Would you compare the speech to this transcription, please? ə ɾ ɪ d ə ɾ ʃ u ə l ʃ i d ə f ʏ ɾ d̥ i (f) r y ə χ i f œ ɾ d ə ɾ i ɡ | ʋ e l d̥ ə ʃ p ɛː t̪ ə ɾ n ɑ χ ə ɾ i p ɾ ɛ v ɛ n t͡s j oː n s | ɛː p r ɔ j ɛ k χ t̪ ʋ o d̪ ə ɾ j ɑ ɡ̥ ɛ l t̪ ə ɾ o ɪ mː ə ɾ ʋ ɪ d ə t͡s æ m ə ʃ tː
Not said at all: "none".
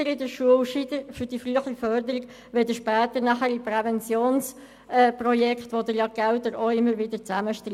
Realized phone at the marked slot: f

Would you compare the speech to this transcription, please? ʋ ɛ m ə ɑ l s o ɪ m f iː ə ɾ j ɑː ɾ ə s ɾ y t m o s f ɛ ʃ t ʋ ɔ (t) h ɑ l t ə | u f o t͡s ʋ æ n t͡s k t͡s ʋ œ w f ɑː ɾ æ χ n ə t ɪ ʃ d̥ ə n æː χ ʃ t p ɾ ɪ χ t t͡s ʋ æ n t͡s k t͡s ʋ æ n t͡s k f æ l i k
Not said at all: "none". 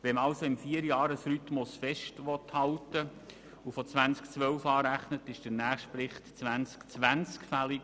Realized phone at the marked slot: t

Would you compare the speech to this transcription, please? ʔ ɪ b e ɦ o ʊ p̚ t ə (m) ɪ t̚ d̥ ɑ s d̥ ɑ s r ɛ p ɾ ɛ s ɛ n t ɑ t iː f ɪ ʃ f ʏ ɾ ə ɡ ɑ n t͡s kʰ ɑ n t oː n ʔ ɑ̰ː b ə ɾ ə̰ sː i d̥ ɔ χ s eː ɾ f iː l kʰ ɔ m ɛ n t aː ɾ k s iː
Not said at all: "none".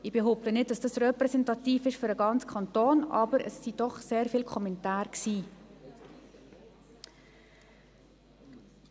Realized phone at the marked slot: n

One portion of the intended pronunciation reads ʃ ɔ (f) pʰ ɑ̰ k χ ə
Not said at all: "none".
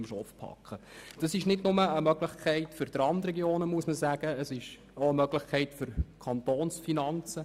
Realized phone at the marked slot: f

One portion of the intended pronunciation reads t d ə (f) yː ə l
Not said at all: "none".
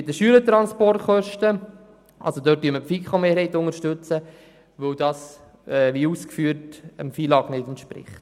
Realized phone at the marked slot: ʃ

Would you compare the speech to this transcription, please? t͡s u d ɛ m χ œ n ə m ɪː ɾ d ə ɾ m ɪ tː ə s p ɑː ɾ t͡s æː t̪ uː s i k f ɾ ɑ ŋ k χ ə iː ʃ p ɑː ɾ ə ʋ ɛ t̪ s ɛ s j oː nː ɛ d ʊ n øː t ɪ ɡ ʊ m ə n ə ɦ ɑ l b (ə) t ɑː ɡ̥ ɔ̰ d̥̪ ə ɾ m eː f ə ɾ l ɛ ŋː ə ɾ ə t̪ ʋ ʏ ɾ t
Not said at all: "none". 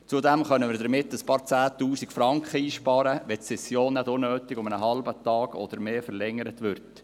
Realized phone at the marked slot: ə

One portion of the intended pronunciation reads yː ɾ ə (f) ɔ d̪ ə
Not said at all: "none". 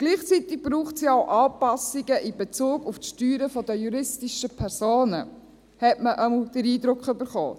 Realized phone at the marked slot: f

